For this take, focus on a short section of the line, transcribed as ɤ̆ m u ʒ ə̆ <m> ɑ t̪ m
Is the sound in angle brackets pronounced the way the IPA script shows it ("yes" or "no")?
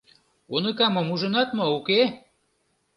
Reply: no